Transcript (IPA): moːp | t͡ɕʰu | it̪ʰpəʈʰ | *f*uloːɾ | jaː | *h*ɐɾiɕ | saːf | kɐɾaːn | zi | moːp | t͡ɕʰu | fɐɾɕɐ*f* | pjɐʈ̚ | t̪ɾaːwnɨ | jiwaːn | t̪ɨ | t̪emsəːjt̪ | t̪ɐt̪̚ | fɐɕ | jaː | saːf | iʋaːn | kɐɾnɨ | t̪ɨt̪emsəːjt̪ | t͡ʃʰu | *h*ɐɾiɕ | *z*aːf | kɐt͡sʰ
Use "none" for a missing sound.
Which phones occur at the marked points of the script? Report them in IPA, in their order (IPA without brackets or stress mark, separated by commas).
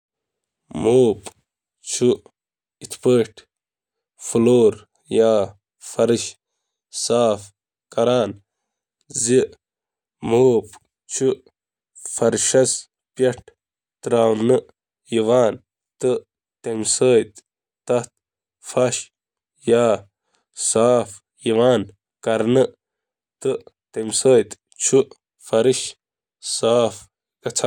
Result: f, f, s, f, s